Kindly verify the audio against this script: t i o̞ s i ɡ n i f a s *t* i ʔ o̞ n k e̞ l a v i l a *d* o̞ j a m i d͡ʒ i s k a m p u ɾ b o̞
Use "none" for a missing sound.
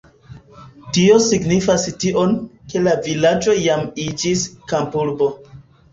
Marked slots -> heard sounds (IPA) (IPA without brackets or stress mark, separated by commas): t, d͡ʒ